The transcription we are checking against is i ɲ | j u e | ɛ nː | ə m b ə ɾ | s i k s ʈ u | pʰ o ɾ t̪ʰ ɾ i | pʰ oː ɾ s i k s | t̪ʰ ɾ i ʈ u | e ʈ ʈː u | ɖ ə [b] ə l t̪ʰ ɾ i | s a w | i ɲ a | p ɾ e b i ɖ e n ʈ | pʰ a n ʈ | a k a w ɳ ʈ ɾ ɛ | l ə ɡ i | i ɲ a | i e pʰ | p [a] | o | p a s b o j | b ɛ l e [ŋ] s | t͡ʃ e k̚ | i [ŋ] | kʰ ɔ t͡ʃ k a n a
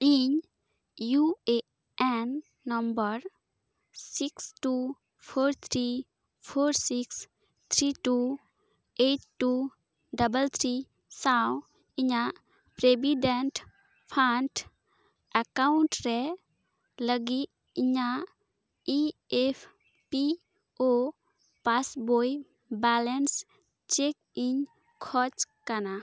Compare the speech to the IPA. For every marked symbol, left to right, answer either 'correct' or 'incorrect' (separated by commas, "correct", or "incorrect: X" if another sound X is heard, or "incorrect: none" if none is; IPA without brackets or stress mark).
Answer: correct, incorrect: i, incorrect: n, incorrect: ɲ